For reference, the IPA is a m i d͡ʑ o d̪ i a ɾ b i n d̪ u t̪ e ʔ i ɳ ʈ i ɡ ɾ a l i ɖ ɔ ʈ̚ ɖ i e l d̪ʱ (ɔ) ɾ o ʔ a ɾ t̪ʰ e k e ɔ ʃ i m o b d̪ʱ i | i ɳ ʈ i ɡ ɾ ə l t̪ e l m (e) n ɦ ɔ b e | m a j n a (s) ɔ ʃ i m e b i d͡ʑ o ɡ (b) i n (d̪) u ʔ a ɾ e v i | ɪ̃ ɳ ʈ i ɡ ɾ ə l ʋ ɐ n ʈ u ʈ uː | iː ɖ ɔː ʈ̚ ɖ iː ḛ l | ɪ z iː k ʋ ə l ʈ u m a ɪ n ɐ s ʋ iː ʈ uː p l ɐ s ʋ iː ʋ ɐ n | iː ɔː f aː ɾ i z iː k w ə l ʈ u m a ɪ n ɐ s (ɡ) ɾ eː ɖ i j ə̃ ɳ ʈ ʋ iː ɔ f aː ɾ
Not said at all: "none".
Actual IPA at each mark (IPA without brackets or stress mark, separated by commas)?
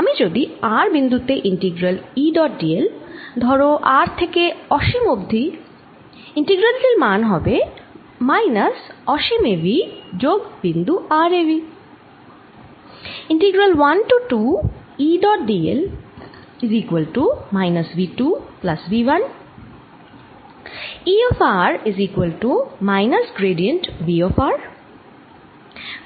ɔ, a, s, b, d̪, ɡ